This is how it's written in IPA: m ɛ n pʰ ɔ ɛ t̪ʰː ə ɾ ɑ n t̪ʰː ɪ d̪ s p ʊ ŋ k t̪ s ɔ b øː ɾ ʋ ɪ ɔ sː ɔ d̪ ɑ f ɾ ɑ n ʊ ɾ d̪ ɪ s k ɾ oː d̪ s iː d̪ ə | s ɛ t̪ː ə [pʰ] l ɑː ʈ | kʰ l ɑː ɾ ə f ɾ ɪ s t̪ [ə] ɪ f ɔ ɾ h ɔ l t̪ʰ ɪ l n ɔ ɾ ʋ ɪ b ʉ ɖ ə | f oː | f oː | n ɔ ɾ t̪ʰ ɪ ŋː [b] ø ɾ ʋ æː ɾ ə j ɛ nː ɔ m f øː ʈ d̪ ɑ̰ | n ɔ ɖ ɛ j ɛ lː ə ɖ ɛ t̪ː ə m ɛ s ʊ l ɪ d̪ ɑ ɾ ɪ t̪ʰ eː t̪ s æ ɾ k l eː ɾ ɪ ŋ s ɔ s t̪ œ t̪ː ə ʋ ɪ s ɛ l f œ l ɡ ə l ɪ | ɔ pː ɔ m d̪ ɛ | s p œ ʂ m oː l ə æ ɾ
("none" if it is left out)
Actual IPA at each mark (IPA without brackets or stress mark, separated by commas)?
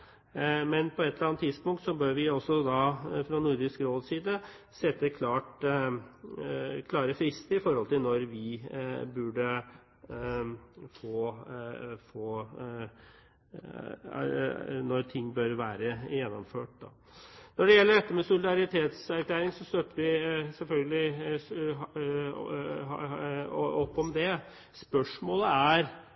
kʰ, ə, b